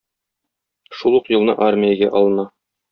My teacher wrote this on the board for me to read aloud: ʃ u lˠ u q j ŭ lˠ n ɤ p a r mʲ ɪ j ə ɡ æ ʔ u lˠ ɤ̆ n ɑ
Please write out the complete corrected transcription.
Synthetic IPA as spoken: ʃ u lˠ u q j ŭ lˠ n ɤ ʔ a r mʲ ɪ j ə ɡ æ ʔ ɒ lˠ ɤ̆ n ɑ